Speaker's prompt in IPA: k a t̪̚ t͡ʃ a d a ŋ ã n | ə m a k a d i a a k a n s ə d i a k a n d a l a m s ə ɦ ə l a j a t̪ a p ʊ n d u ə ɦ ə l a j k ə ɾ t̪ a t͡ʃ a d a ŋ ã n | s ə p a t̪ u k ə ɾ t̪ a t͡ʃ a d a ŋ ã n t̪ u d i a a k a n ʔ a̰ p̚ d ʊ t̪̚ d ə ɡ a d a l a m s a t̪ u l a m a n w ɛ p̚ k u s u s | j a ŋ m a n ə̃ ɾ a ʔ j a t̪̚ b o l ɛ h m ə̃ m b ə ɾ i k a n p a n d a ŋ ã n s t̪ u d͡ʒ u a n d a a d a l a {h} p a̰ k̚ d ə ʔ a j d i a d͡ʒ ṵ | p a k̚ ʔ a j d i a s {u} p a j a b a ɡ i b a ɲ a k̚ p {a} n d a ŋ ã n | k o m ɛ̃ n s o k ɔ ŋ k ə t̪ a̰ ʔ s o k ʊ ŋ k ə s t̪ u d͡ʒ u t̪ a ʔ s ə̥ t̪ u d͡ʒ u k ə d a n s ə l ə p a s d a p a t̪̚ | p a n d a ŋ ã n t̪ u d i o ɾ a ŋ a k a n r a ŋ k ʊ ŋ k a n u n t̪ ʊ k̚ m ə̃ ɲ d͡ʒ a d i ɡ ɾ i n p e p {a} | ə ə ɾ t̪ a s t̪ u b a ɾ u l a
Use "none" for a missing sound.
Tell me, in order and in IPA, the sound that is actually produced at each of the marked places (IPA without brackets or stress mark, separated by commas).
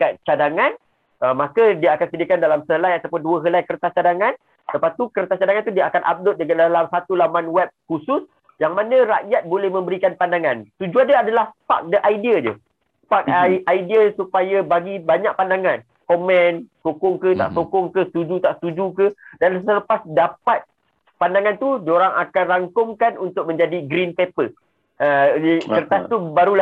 h, u, a, ə